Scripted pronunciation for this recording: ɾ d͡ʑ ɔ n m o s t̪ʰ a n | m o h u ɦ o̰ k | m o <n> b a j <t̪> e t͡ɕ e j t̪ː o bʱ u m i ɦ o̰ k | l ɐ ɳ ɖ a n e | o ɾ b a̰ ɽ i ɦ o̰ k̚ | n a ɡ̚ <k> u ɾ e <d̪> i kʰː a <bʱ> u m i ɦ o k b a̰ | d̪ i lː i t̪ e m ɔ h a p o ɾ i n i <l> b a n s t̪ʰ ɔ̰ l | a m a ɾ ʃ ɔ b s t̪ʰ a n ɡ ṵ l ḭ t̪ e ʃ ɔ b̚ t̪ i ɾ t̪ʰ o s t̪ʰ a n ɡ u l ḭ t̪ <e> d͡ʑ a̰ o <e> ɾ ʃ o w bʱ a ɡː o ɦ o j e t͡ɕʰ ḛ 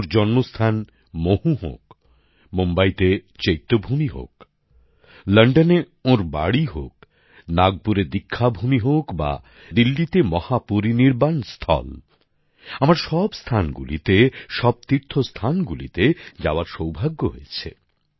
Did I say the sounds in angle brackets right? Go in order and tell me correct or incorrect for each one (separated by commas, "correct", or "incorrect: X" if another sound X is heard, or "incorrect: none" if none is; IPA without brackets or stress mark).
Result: incorrect: m, correct, incorrect: p, correct, correct, incorrect: ɾ, correct, incorrect: a